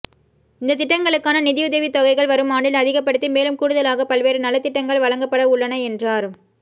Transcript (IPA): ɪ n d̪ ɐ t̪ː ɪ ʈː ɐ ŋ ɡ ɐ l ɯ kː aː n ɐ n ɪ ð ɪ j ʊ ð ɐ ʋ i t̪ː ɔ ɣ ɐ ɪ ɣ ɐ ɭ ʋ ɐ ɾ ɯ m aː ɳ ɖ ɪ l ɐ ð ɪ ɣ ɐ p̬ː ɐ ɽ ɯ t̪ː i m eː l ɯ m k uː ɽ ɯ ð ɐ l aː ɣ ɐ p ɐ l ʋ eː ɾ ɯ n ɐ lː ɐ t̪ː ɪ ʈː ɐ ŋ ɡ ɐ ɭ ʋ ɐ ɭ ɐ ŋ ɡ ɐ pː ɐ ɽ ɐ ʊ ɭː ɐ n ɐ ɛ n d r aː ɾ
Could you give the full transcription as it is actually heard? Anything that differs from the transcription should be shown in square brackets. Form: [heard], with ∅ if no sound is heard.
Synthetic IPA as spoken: ɪ n d̪ ɐ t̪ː ɪ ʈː ɐ ŋ ɡ ɐ [ɭ] ɯ kː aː n ɐ n ɪ ð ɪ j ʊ ð ɐ ʋ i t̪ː ɔ ɣ ɐ ɪ ɣ ɐ ɭ ʋ ɐ ɾ ɯ m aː ɳ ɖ ɪ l ɐ ð ɪ ɣ ɐ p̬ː ɐ ɽ ɯ t̪ː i m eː l ɯ m k uː ɽ ɯ ð ɐ l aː ɣ ɐ p ɐ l ʋ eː ɾ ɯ n ɐ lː ɐ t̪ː ɪ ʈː ɐ ŋ ɡ ɐ ɭ ʋ ɐ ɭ ɐ ŋ ɡ ɐ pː ɐ ɽ ɐ ʊ ɭː ɐ n ɐ ɛ n d r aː ɾ